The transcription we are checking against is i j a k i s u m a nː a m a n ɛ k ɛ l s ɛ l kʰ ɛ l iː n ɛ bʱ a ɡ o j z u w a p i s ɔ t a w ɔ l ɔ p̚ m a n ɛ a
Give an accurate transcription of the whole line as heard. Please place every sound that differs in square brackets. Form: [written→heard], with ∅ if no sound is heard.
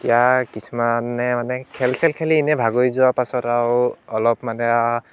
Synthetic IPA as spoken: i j a k i s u m a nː [a→ɛ] m a n ɛ [k→kʰ] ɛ l s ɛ l kʰ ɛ l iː n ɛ bʱ a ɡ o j z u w a p [i→a] s ɔ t a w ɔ l ɔ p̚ m a n ɛ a